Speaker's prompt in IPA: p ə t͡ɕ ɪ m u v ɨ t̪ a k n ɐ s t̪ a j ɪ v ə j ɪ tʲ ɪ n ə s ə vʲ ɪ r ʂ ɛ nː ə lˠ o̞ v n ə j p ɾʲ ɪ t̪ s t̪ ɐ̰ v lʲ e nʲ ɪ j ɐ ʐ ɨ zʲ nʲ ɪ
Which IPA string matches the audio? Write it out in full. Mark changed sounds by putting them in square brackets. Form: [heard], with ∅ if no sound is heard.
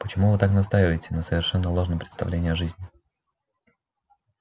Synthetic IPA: p ə t͡ɕ ɪ m u v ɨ t̪ a k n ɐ s t̪ a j ɪ v ə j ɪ tʲ ɪ n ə s ə vʲ ɪ r ʂ ɛ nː ə lˠ o̞ [ʐ] n ə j p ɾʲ ɪ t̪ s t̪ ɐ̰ v lʲ e nʲ ɪ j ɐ ʐ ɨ zʲ nʲ ɪ